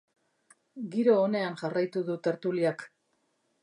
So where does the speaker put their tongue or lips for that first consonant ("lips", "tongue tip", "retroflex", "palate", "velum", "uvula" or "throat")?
velum